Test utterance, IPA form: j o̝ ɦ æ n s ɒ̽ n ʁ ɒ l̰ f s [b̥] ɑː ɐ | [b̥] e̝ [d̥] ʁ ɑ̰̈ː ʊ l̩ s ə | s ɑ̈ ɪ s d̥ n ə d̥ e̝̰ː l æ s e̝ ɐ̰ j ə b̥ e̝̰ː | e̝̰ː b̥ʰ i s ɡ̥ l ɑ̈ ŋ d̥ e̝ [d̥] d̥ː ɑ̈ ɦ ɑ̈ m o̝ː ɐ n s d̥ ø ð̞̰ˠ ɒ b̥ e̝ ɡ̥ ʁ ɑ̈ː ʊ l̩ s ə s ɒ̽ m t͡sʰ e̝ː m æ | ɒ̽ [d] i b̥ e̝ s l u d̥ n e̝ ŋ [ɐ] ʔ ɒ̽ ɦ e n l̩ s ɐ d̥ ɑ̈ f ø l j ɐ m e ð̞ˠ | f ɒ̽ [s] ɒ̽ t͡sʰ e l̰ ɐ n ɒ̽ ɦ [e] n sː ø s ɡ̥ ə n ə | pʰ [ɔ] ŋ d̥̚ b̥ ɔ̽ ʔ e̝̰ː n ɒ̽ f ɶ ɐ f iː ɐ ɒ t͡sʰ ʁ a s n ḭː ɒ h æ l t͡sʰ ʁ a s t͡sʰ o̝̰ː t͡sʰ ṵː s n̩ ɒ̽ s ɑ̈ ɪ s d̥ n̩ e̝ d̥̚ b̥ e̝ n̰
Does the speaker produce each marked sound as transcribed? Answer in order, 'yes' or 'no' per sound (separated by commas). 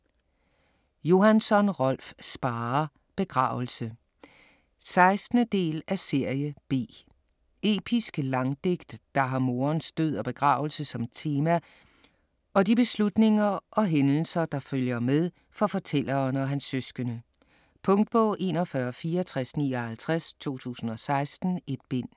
yes, yes, no, no, yes, yes, no, no, yes